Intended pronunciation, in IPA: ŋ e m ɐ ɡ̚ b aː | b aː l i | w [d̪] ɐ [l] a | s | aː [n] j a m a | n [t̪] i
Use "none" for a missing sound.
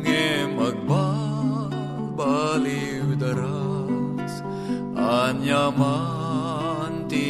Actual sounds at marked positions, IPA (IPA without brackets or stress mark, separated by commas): d̪, ɾ, n, t̪